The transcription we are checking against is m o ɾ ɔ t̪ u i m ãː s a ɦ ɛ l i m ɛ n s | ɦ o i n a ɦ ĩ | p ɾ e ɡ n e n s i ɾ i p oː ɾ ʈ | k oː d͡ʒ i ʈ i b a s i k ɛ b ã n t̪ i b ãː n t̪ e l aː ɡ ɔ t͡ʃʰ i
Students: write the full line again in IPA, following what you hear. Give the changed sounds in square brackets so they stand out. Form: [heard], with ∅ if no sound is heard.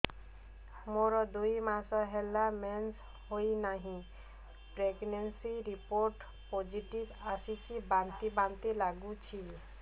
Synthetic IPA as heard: m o ɾ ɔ [d̪] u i m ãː s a ɦ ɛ l [a] m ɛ n s | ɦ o i n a ɦ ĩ | p ɾ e ɡ n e n s i ɾ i p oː ɾ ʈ | [p] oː d͡ʒ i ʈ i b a s i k [i] b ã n t̪ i b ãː n t̪ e l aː ɡ [u] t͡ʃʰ i